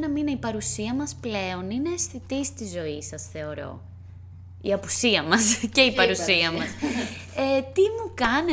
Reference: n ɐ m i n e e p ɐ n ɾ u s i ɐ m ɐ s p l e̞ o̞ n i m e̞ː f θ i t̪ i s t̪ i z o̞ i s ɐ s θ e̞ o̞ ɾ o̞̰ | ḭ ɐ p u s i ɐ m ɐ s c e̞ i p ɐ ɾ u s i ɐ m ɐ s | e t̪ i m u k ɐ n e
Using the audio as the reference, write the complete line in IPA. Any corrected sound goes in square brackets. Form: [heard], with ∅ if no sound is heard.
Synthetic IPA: n ɐ m i n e [i] p ɐ [∅] ɾ u s i ɐ m ɐ s p l e̞ o̞ n i [n] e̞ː [s] θ i t̪ i s t̪ i z o̞ i s ɐ s θ e̞ o̞ ɾ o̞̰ | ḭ ɐ p u s i ɐ m ɐ s c e̞ i p ɐ ɾ u s i ɐ m ɐ s | e t̪ i m u k ɐ n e